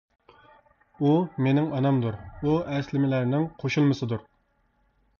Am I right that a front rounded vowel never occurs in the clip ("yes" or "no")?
yes